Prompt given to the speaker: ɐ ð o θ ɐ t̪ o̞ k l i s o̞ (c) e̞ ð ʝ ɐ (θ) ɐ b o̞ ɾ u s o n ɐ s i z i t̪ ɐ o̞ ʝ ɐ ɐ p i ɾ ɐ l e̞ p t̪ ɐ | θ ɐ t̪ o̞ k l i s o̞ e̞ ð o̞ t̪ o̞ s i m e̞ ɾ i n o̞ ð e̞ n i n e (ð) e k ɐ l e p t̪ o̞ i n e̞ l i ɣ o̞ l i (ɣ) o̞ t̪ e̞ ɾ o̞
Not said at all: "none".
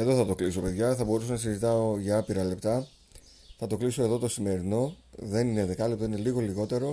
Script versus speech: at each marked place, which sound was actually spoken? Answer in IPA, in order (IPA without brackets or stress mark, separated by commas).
p, θ, ð, ɣ